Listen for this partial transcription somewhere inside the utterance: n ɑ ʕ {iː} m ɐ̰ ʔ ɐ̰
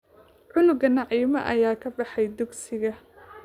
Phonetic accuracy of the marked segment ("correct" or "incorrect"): correct